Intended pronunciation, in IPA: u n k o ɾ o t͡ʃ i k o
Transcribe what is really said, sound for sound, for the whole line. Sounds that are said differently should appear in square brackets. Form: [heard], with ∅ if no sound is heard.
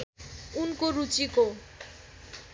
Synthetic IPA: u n k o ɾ [u] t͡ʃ i k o